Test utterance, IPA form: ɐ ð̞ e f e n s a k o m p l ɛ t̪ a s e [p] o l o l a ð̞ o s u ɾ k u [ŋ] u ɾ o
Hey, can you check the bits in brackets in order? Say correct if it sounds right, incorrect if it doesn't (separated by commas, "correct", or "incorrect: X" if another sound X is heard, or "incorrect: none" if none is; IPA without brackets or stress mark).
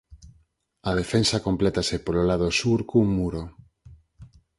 correct, incorrect: m